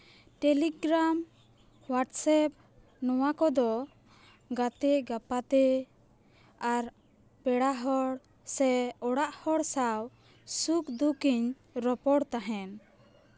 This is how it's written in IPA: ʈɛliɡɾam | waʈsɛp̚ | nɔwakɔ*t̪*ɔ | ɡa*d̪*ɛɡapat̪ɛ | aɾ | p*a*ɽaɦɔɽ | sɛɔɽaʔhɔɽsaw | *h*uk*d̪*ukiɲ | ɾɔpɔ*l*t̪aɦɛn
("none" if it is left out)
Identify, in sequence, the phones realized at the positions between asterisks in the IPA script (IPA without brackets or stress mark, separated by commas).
d̪, t̪, ɛ, s, d̪, ɽ